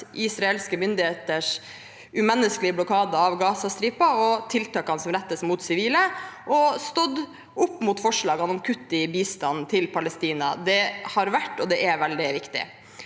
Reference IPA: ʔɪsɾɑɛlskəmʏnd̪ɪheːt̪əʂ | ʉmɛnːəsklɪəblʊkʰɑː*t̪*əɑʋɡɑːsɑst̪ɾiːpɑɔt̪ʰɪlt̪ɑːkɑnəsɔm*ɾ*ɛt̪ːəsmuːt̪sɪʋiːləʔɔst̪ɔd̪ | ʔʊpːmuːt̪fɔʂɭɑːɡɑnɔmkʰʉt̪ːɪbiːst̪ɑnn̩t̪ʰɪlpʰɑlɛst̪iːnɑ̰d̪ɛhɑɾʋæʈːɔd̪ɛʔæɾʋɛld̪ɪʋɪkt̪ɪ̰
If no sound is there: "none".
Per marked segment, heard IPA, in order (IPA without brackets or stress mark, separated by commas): d̪, ɾ